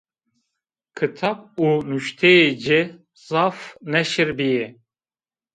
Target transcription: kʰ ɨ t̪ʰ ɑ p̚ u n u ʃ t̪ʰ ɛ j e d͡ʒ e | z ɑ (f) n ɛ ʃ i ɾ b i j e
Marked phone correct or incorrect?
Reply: correct